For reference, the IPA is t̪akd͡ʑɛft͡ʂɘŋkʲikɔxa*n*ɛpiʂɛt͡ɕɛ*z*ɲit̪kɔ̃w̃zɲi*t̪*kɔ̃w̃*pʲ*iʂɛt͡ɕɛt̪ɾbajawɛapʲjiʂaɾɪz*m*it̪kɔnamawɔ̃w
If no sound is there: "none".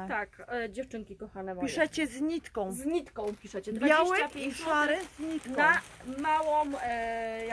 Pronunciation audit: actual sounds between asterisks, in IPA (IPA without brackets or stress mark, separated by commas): n, z, t̪, pʲ, ɲ